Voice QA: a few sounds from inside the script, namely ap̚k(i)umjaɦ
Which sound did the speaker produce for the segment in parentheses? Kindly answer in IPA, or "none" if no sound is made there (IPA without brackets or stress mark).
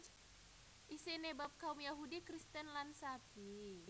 a